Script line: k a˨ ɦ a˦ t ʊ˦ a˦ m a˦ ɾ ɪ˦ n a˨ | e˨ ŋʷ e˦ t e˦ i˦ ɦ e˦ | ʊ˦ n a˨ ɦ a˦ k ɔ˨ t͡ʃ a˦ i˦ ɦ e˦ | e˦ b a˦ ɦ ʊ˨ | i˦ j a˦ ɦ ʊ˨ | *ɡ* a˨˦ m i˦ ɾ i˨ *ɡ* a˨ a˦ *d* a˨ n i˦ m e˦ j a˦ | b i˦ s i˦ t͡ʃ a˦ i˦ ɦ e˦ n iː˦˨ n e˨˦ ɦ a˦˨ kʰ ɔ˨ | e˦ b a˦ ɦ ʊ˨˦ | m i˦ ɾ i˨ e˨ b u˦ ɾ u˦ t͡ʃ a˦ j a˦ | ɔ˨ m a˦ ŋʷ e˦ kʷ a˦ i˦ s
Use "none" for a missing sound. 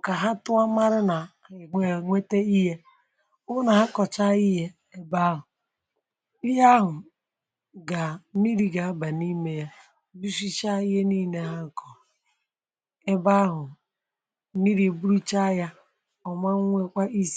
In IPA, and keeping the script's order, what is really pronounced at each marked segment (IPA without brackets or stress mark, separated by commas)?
ɡ, ɡ, b